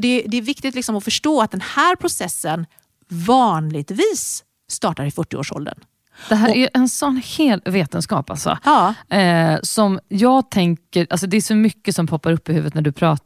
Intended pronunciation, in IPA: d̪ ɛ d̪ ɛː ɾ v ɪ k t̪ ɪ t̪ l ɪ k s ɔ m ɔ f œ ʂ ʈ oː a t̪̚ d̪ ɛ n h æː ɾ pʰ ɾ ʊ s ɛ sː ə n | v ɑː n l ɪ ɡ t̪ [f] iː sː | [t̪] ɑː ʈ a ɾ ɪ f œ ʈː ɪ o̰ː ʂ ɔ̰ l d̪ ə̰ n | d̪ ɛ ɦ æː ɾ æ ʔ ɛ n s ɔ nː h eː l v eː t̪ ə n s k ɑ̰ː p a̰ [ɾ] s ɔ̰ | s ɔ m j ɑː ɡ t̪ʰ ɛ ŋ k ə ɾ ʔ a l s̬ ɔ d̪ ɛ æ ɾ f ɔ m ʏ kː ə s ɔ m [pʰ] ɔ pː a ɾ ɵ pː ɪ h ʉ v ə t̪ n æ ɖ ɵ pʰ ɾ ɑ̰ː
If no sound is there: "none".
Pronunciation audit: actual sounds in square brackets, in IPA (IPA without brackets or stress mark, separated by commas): v, t̪, l, pʰ